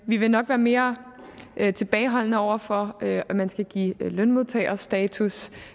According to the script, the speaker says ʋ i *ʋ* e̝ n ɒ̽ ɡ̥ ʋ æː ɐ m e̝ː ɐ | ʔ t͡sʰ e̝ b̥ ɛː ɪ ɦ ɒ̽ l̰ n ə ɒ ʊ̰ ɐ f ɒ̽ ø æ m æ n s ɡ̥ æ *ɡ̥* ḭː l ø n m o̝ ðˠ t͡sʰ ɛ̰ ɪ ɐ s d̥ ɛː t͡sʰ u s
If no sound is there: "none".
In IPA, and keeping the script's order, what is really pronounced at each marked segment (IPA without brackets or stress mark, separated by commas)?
ʋ, ɡ̥